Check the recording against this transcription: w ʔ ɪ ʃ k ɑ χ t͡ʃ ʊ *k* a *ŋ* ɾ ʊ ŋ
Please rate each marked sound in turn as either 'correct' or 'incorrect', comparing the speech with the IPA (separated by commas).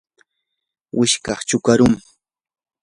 correct, incorrect